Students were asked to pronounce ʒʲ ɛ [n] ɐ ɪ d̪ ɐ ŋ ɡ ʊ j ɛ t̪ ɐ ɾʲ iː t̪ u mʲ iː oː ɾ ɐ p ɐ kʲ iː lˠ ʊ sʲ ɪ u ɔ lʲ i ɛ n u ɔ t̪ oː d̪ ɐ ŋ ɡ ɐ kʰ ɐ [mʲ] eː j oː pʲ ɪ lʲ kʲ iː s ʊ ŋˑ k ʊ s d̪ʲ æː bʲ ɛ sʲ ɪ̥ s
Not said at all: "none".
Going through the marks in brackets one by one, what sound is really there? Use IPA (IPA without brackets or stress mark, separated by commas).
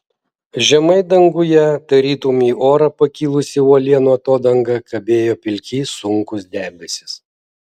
m, bʲ